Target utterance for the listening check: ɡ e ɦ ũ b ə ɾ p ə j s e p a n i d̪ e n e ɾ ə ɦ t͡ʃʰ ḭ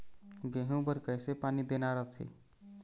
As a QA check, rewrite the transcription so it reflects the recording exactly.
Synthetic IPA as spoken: ɡ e ɦ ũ b ə ɾ k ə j s e p a n i d̪ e n a ɾ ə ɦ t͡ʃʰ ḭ